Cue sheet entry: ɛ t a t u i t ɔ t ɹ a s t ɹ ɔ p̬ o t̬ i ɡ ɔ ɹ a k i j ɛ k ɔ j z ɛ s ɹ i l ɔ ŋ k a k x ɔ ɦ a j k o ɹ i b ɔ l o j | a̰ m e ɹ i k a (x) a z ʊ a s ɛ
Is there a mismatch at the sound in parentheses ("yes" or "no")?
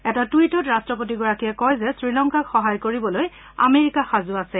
no